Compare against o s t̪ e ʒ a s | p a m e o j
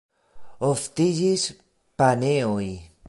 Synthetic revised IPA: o f t̪ i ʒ i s | p a n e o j